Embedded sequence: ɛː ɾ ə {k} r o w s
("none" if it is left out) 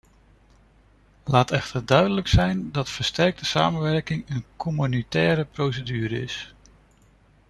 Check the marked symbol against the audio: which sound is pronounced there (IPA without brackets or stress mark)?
p